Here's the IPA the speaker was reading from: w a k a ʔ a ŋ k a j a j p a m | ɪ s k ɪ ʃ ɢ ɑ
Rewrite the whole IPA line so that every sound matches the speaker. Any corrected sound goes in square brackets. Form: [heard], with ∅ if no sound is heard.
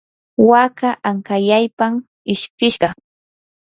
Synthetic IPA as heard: w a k a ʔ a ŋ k a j a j p a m | ɪ [ʃ] k ɪ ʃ ɢ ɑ